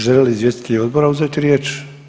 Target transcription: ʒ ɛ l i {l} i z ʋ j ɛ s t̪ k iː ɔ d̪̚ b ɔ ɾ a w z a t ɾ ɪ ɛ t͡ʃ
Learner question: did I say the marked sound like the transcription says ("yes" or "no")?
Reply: yes